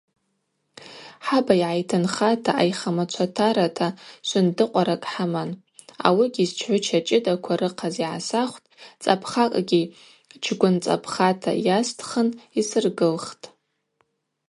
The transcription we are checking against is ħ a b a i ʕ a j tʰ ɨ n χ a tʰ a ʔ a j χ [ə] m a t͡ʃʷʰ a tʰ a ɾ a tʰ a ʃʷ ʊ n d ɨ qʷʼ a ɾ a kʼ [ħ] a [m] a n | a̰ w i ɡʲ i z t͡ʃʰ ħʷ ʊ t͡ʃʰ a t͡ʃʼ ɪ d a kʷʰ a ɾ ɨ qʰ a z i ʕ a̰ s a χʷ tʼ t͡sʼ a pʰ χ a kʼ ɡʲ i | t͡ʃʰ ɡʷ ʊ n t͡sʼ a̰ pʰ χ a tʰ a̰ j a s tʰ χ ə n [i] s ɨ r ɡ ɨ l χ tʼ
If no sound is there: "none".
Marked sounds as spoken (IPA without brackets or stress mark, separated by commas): a, ħ, m, i